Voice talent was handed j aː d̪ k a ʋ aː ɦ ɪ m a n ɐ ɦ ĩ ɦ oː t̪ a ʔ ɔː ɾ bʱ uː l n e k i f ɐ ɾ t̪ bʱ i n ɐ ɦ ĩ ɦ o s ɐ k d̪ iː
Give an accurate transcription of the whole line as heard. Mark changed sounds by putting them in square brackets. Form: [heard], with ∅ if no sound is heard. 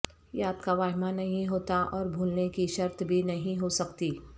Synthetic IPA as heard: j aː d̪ k a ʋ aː ɦ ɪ m a n ɐ ɦ ĩ ɦ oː t̪ a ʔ ɔː ɾ bʱ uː l n e k i [ʃ] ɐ ɾ t̪ bʱ i n ɐ ɦ ĩ ɦ o s ɐ k [t̪] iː